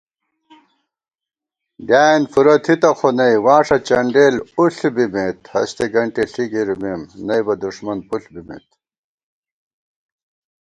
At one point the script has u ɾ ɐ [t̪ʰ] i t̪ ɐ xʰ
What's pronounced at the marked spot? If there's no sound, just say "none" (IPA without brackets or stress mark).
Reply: t̪ʰ